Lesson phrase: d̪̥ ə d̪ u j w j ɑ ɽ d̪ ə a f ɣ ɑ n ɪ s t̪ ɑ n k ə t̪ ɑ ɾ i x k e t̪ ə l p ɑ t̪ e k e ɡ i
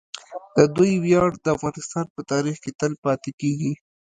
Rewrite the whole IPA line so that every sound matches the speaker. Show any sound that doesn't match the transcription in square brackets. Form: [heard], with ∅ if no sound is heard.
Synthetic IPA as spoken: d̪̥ ə d̪ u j w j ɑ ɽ d̪ ə a f ɣ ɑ n ɪ s t̪ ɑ n [p] ə t̪ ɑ ɾ i x k e t̪ ə l p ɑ t̪ e k e ɡ i